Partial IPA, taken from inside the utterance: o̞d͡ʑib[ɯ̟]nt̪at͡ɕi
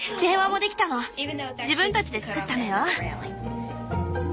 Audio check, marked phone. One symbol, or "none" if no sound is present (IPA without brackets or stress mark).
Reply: ɯ̟̃